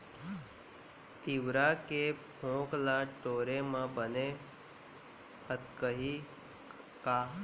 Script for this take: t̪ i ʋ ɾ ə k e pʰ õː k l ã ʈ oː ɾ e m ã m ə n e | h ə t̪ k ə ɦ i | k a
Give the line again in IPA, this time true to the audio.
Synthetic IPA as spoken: t̪ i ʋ ɾ a k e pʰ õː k l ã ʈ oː ɾ e m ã b ə n e | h ə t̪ k ə ɦ i | k a